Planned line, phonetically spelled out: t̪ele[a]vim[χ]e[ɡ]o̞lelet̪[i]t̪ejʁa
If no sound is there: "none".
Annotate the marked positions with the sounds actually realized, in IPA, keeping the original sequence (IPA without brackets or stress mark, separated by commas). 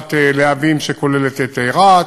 a, ʃ, k, e